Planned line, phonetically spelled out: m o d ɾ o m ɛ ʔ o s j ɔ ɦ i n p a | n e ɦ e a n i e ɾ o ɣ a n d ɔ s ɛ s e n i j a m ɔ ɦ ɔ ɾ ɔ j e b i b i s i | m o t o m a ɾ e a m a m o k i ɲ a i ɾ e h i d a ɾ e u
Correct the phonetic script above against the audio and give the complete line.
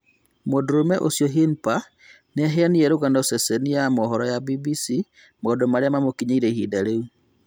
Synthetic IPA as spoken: m o d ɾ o m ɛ ʔ o s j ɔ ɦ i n p a | n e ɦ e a n i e ɾ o ɣ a n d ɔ s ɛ s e n i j a m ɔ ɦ ɔ ɾ ɔ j a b i b i s i | m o d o m a ɾ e a m a m o k i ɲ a i ɾ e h i d a ɾ e u